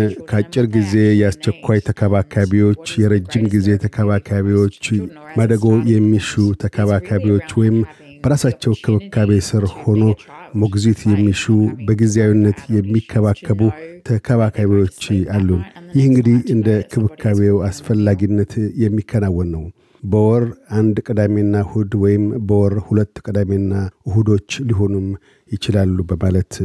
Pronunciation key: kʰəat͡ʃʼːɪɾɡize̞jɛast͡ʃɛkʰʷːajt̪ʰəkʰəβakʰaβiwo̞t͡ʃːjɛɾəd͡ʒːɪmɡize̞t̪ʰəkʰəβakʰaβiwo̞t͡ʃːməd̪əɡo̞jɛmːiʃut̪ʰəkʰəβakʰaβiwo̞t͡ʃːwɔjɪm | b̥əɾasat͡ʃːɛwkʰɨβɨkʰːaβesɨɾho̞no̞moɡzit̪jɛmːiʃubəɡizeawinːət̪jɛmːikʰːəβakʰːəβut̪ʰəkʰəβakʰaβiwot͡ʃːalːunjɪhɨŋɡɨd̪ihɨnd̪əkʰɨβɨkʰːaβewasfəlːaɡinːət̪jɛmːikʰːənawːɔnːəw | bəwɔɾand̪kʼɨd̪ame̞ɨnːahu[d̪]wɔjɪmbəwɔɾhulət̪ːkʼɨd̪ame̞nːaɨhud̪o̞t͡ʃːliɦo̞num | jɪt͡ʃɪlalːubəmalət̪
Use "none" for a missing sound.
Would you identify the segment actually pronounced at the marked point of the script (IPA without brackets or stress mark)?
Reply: d̪